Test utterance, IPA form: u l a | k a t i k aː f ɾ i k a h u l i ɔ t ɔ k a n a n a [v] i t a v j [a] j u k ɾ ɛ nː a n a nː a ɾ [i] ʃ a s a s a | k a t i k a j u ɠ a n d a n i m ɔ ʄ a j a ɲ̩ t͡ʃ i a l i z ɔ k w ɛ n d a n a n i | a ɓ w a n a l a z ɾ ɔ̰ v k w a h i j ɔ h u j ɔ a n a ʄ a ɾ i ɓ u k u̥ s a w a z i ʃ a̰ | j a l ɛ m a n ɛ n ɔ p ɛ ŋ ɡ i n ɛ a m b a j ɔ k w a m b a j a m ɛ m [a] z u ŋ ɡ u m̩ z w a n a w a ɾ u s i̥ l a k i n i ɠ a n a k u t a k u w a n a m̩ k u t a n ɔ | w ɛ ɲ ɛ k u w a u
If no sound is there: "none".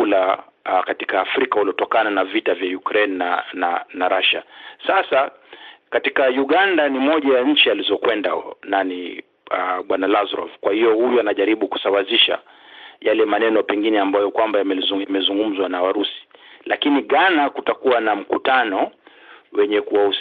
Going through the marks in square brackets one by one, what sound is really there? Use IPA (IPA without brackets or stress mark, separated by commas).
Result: v, a, a, ɛ